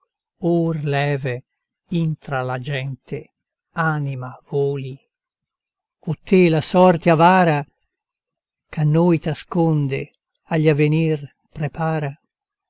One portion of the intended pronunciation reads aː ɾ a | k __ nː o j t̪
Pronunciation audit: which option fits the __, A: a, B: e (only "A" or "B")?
A